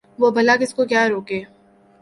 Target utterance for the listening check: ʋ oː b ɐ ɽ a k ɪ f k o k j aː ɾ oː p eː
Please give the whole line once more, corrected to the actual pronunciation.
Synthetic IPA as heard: ʋ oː b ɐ l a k ɪ s k o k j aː ɾ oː k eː